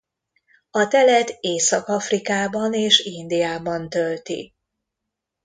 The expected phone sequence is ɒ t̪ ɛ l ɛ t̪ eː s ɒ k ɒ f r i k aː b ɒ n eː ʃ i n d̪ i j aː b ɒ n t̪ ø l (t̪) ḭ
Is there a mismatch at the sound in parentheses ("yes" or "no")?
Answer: no